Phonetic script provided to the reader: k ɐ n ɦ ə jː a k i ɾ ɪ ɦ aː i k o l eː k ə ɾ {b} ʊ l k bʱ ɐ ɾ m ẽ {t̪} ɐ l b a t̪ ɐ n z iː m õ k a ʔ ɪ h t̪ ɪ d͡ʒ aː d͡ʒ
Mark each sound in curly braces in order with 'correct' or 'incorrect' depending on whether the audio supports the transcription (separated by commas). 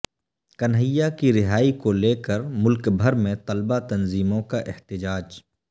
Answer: incorrect, correct